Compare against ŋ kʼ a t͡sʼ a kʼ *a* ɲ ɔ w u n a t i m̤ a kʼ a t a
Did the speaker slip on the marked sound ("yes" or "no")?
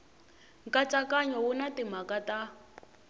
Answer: no